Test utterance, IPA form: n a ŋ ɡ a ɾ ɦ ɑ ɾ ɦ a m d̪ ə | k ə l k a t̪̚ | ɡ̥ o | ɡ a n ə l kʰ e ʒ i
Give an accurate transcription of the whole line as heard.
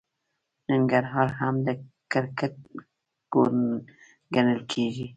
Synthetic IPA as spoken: n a ŋ ɡ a ɾ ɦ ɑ ɾ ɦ a m d̪ ə | k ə ɾ k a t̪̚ | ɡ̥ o | ɡ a n ə l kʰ e ʒ i